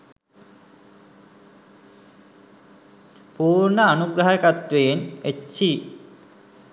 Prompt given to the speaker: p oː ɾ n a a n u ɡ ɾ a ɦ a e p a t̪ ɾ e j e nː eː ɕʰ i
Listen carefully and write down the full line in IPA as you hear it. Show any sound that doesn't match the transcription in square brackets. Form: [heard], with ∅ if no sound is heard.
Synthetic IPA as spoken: p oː ɾ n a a n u ɡ ɾ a ɦ a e [k] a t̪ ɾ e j e [n] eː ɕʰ i